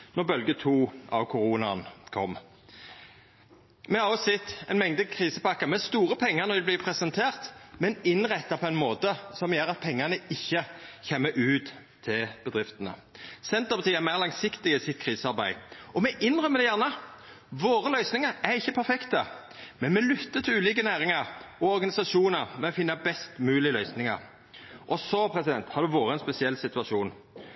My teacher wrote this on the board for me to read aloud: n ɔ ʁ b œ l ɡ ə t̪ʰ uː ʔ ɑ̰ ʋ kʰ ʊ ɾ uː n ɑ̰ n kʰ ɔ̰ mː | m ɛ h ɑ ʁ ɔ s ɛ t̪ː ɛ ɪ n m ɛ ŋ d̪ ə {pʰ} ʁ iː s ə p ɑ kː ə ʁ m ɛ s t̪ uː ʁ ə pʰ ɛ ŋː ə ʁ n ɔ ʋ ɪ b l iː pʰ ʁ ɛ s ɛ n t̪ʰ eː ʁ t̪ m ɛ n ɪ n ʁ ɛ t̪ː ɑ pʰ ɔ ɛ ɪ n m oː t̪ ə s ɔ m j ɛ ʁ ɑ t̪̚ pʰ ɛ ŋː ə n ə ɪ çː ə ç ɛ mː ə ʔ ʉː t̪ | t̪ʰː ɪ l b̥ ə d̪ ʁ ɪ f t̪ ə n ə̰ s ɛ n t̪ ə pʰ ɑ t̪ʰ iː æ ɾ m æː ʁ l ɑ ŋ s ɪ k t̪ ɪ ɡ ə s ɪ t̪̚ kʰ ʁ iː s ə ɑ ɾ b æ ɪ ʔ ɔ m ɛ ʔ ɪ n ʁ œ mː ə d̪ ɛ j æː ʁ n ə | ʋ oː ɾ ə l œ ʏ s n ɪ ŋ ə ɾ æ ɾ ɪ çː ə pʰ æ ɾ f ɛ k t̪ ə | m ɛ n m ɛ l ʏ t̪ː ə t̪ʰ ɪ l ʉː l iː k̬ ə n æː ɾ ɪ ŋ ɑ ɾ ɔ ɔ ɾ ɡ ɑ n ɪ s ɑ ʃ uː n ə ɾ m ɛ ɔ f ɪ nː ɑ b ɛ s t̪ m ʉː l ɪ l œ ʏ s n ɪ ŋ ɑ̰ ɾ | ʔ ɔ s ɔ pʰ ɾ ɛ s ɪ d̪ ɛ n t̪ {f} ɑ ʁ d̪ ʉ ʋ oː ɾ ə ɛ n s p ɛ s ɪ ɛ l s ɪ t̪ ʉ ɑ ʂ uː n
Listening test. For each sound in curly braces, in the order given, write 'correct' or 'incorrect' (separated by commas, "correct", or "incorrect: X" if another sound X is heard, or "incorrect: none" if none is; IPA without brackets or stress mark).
incorrect: kʰ, incorrect: h